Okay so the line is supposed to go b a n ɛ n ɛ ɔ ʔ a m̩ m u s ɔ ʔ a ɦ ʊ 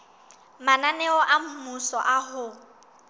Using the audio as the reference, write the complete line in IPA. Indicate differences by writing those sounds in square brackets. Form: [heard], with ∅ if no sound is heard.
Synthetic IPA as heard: [m] a n [a] n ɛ ɔ ʔ a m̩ m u s ɔ ʔ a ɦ ʊ